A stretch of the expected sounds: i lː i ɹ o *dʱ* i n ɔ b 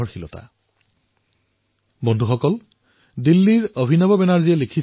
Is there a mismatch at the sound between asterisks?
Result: yes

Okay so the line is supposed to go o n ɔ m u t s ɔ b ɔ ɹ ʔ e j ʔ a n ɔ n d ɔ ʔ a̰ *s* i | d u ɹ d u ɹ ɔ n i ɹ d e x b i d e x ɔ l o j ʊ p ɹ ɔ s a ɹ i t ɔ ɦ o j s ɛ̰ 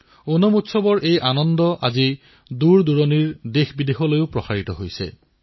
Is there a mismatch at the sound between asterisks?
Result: yes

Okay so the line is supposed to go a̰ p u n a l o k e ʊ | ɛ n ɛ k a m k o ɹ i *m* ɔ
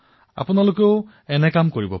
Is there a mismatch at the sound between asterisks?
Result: yes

